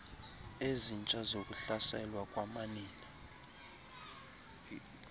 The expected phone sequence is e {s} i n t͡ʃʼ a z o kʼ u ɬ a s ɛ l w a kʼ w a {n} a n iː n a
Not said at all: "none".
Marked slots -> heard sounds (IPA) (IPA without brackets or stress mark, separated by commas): z, m